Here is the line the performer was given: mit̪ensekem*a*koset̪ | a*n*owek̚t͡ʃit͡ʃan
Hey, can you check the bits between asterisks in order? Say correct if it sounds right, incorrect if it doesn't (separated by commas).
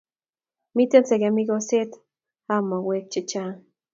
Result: incorrect, incorrect